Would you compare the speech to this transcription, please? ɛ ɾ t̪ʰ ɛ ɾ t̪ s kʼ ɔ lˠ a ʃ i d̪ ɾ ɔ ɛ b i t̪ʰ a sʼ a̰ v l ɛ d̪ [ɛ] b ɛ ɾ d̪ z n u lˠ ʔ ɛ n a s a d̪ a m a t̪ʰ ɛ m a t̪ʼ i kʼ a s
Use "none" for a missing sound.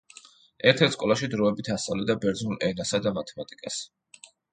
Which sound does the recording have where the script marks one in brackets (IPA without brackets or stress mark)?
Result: a